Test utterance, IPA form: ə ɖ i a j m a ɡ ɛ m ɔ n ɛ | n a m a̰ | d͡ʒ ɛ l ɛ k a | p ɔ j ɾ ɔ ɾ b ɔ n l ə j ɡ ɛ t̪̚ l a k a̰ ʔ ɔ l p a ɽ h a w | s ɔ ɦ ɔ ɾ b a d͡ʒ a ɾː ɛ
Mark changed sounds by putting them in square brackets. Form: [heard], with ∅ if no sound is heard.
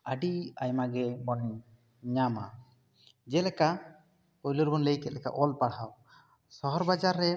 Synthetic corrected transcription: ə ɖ i a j m a ɡ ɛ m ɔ n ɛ | [ɲ] a m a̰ | d͡ʒ ɛ l ɛ k a | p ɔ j [l] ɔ ɾ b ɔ n l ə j [k] ɛ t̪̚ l [ɛ] k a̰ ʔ ɔ l p a ɽ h a w | s ɔ ɦ ɔ ɾ b a d͡ʒ a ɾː ɛ